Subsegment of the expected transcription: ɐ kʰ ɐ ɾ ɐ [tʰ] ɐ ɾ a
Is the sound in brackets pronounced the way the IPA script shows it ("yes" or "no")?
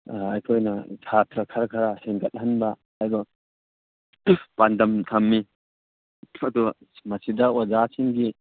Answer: no